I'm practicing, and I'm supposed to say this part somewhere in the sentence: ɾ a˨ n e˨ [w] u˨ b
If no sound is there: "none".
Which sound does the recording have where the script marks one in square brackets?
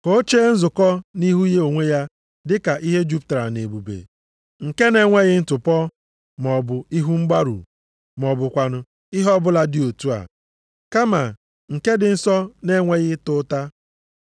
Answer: b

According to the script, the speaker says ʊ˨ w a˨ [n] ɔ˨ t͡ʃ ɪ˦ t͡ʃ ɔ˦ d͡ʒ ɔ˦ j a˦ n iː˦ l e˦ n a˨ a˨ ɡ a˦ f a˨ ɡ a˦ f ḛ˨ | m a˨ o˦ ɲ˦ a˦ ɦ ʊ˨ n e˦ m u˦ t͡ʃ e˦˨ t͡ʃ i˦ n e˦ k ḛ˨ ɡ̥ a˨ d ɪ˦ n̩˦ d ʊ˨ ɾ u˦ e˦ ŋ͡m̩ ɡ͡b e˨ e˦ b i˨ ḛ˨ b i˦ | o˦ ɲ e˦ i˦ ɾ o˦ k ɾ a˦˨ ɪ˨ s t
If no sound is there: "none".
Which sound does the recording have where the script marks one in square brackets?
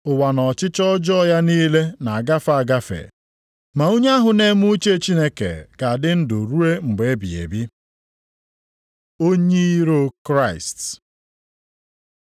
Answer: n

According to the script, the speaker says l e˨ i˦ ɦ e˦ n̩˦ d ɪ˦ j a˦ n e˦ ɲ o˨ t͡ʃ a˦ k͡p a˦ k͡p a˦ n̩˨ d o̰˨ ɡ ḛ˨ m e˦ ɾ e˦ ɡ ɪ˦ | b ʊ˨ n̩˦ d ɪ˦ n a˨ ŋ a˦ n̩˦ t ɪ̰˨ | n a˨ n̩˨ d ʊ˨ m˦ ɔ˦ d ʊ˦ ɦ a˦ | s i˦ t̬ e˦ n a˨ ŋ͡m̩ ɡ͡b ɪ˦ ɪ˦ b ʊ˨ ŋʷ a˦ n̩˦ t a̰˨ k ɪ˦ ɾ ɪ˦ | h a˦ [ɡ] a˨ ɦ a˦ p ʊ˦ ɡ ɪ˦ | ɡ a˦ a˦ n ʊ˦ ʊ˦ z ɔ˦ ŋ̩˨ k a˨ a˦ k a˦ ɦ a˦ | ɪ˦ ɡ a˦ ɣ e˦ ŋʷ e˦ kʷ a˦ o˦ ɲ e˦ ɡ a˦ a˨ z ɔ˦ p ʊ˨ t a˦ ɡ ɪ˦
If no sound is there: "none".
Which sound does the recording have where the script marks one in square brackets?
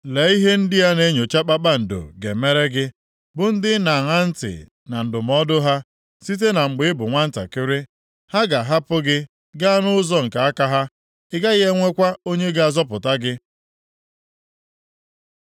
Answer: ɡ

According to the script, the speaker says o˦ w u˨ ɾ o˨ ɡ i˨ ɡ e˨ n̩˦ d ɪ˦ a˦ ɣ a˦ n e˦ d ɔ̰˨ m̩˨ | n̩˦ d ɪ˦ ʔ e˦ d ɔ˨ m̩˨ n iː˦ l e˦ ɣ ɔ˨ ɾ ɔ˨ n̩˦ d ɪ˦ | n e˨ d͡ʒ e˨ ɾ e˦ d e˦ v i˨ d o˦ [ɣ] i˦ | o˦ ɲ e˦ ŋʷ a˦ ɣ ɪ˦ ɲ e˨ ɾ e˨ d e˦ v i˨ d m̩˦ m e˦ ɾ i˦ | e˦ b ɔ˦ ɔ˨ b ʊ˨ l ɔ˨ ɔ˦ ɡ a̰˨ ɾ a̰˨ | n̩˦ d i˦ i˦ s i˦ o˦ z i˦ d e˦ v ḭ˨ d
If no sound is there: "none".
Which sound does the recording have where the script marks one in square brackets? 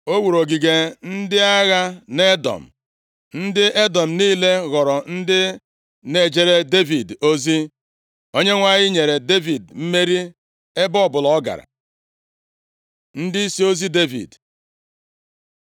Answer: z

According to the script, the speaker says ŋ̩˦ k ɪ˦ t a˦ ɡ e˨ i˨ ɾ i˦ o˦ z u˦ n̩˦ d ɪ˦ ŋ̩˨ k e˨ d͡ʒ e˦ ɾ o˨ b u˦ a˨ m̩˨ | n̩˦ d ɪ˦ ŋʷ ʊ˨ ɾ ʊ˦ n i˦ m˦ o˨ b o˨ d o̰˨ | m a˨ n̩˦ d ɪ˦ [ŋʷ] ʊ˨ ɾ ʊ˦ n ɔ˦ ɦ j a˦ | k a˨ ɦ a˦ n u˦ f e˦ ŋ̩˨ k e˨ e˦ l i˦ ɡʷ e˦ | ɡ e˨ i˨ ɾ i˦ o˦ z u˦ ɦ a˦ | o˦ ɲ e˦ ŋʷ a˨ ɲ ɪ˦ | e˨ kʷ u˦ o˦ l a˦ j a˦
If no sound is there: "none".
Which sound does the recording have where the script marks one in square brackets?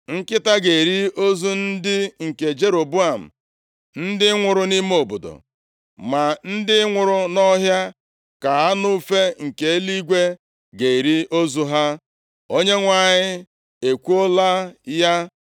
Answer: ŋʷ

